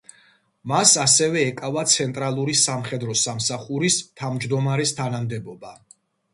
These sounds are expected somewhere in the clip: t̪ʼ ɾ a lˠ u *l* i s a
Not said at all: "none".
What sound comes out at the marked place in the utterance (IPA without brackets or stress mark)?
ɾ